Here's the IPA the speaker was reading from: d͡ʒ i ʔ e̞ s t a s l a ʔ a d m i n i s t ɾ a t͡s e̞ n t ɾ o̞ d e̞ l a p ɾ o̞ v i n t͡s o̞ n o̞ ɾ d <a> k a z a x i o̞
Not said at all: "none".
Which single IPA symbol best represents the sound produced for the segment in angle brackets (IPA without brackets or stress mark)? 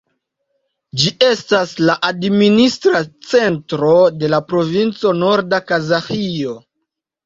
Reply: a